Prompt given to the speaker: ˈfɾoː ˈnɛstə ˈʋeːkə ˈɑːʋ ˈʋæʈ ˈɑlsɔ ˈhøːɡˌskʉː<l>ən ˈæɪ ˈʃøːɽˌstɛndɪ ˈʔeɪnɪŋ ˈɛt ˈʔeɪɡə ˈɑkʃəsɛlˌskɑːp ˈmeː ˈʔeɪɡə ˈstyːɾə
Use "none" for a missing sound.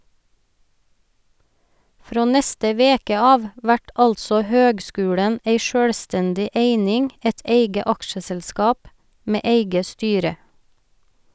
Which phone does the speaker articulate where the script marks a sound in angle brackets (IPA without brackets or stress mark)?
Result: ɽ